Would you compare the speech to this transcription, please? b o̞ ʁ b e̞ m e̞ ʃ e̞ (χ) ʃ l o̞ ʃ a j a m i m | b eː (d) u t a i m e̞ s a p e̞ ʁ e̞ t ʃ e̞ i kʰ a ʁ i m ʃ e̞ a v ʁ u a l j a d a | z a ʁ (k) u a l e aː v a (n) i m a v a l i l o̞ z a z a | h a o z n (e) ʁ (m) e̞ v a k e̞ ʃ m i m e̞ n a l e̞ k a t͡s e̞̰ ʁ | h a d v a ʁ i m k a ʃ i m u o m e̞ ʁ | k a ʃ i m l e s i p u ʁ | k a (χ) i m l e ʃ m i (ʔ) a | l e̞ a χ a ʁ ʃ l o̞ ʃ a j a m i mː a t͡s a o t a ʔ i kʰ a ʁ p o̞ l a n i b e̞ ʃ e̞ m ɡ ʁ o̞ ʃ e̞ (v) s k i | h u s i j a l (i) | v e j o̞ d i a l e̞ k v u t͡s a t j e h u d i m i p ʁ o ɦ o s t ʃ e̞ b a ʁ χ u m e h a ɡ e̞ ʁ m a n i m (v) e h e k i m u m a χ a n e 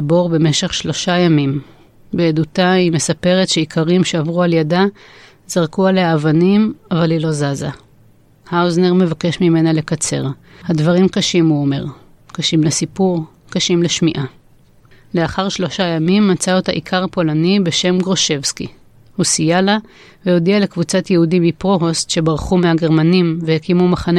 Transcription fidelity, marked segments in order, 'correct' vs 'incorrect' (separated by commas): correct, correct, correct, correct, correct, correct, incorrect, correct, correct, incorrect, correct